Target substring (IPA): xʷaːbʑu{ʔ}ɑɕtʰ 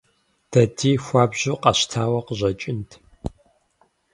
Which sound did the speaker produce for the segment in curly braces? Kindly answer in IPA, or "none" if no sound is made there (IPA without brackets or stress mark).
q